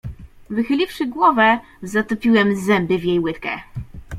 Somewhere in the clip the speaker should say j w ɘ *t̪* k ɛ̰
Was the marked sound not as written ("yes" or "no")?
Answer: no